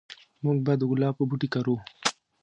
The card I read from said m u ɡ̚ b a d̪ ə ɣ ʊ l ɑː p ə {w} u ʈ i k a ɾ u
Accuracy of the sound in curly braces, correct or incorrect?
incorrect